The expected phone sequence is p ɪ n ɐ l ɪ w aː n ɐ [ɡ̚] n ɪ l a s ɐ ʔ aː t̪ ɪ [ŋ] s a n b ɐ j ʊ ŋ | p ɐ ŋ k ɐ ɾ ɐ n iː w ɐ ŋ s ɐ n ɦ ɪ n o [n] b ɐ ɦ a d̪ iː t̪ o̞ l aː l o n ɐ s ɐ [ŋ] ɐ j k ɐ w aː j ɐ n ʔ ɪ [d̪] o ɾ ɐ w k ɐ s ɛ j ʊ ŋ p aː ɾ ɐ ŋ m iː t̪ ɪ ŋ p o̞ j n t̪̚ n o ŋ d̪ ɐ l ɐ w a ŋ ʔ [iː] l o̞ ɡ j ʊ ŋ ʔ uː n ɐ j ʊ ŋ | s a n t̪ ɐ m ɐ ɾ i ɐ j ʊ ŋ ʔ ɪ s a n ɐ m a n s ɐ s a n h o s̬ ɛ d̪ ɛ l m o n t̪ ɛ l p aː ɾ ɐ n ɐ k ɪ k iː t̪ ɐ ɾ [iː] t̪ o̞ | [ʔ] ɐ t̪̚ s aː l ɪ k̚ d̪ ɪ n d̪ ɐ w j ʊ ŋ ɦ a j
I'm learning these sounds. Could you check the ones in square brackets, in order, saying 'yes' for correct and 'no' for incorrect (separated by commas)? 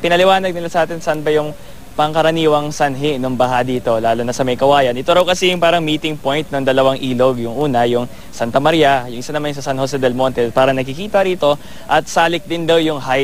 yes, no, no, no, no, yes, yes, yes